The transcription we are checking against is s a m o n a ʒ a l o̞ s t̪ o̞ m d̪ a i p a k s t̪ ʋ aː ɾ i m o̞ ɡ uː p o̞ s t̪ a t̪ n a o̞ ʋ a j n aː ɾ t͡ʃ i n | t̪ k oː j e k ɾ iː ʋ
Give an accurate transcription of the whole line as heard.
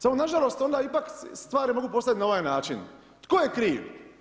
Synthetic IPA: s a m o n a ʒ a l o̞ s t̪ o̞ n d̪ a i p a k s t̪ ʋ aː ɾ i m o̞ ɡ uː p o̞ s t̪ a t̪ n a o̞ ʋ a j n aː t͡ʃ i n | t̪ k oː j e k ɾ iː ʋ